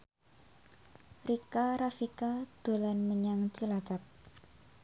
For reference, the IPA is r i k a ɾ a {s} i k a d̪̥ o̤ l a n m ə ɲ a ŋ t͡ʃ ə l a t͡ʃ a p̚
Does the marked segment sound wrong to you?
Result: yes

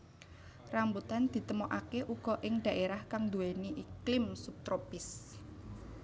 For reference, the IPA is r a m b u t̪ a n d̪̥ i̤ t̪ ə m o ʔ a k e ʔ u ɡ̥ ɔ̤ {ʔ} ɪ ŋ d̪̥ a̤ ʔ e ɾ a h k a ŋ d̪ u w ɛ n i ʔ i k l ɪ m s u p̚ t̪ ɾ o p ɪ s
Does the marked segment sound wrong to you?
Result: no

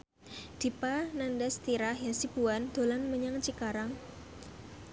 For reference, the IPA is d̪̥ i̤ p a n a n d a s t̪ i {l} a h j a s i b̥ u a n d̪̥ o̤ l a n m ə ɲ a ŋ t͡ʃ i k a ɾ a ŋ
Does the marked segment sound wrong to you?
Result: yes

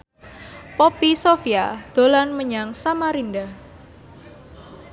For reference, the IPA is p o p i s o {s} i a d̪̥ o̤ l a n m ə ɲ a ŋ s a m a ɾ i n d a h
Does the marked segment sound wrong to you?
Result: yes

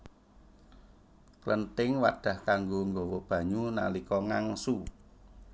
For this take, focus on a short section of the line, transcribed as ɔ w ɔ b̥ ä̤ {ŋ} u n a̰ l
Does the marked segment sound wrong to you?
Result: yes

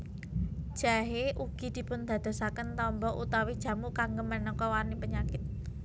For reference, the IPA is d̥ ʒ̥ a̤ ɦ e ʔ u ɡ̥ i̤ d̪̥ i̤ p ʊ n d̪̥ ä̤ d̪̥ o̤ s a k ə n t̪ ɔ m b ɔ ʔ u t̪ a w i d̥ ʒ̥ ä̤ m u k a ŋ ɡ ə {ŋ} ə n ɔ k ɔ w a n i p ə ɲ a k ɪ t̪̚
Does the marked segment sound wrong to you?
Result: yes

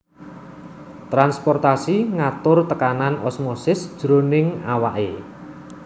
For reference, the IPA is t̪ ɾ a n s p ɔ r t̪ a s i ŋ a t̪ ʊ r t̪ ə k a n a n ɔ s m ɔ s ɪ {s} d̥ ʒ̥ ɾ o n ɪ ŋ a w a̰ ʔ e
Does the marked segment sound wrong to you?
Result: no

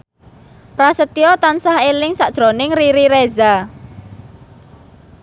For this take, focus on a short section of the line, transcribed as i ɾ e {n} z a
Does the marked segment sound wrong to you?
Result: yes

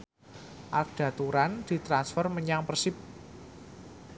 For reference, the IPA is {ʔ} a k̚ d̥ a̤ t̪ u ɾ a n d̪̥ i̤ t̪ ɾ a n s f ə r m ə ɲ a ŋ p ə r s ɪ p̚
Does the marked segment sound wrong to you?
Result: no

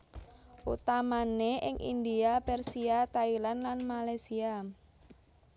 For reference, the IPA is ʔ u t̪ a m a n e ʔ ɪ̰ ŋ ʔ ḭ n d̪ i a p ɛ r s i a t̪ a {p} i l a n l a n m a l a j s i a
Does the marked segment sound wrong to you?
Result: yes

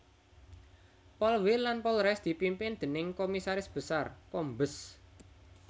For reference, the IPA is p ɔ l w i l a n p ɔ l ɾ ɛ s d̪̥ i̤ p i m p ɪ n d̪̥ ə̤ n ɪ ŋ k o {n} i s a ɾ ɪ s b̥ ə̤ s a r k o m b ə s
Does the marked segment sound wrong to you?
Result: yes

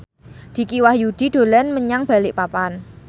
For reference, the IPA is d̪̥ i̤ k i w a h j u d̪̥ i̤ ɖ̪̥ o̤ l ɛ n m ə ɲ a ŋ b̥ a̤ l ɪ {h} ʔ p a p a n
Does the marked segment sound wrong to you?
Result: yes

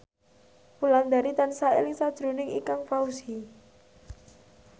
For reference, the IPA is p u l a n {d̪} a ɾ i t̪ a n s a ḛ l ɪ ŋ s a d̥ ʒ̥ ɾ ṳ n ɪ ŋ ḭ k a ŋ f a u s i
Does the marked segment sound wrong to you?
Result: no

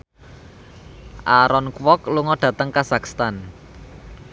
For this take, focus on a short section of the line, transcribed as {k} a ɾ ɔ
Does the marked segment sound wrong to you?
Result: yes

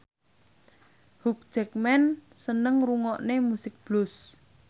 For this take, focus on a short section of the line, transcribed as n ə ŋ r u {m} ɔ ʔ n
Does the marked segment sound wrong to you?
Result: yes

